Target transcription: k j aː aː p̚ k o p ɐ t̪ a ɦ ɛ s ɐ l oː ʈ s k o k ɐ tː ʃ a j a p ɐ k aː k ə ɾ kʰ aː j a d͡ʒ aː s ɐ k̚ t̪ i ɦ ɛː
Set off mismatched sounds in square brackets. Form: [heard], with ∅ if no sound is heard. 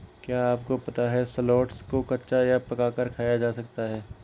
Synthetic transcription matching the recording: k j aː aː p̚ k o p ɐ t̪ a ɦ ɛ s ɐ l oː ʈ s k o k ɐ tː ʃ a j a p ɐ k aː k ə ɾ kʰ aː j a d͡ʒ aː s ɐ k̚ t̪ [a] ɦ ɛː

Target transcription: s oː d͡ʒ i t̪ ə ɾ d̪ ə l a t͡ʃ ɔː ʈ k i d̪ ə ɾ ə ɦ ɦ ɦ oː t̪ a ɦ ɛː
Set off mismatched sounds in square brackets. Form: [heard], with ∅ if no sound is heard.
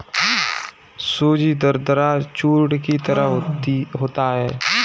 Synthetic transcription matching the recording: s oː d͡ʒ i [d̪] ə ɾ d̪ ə [ɾ] a t͡ʃ [uː] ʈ k i [t̪] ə ɾ ə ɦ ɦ ɦ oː t̪ a ɦ ɛː

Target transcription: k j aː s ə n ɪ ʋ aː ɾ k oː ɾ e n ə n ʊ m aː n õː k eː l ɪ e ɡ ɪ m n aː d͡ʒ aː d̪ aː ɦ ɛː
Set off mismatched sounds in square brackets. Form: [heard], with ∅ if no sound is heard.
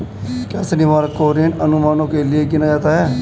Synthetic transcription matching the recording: k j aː s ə n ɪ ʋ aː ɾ k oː ɾ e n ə n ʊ m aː n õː k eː l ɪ e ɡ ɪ [∅] n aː d͡ʒ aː [t̪] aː ɦ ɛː

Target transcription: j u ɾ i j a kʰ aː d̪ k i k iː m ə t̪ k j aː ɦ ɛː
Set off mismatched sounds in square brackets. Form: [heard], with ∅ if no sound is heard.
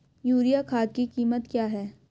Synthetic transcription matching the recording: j [uː] ɾ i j a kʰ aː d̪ k i k iː m ə t̪ k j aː ɦ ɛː

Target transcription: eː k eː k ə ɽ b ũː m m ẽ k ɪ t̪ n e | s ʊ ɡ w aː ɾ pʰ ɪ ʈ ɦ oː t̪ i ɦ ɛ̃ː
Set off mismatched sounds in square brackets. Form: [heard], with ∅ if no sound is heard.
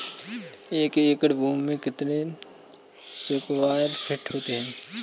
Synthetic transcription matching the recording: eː k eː k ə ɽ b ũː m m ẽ k ɪ t̪ n e | s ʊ [k] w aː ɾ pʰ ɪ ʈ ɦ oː t̪ [e] ɦ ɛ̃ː

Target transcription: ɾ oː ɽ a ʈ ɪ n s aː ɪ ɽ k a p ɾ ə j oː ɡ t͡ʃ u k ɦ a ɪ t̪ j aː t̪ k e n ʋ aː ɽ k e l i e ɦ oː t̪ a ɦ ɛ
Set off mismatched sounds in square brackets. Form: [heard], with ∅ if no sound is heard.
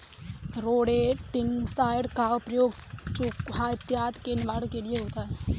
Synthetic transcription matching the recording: ɾ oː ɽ [e] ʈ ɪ n s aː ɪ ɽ k a p ɾ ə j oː ɡ t͡ʃ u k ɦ a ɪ t̪ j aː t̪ k e n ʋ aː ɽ k e l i e ɦ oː t̪ a ɦ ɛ

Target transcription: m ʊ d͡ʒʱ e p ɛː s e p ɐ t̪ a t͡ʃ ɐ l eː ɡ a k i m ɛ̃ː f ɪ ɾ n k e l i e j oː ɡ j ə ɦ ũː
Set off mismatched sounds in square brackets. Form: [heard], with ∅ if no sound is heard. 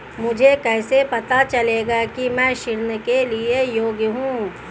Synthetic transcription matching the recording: m ʊ d͡ʒʱ e [k] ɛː s e p ɐ t̪ a t͡ʃ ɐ l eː ɡ a k i m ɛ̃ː [ʃ] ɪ ɾ n k e l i e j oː ɡ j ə ɦ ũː

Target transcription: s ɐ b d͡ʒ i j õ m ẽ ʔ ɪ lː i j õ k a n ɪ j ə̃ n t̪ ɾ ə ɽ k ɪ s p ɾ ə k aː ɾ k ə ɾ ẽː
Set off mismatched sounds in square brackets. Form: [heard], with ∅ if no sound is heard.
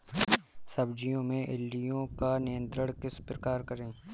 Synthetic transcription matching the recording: s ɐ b d͡ʒ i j õ m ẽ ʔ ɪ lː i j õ k a n ɪ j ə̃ n t̪ ɾ ə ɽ k ɪ s p ɾ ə k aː ɾ k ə ɾ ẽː

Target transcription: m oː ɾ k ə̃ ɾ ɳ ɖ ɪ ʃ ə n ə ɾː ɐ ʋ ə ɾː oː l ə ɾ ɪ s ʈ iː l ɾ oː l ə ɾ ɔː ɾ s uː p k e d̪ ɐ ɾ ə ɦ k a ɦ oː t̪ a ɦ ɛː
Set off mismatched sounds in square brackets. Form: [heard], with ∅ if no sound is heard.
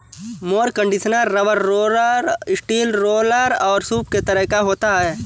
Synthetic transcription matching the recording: m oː ɾ k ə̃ [∅] ɳ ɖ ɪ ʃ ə n ə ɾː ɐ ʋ ə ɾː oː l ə ɾ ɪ s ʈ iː l ɾ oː l ə ɾ ɔː ɾ s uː p k e [t̪] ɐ ɾ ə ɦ k a ɦ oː t̪ a ɦ ɛː

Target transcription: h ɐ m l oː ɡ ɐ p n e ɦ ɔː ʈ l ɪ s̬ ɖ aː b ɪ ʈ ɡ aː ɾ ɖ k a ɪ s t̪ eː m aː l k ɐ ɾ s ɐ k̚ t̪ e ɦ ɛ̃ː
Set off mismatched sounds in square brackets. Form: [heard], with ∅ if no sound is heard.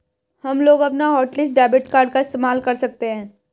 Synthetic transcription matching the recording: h ɐ m l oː ɡ ɐ p n [a] ɦ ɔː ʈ l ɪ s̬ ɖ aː b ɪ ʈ [k] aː ɾ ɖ k a ɪ s t̪ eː m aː l k ɐ ɾ s ɐ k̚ t̪ e ɦ ɛ̃ː

